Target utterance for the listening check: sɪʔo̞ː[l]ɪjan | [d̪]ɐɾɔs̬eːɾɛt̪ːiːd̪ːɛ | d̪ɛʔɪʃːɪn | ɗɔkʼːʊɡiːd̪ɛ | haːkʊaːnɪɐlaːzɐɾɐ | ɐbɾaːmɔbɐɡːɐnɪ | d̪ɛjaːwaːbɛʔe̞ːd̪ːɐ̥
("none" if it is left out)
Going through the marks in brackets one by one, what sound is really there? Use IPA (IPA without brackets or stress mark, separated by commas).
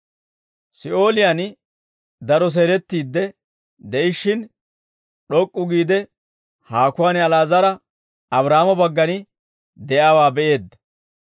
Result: l, d̪